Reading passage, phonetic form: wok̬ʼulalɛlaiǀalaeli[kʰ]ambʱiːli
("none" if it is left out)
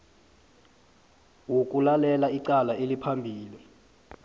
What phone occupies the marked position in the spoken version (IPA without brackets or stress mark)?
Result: pʰ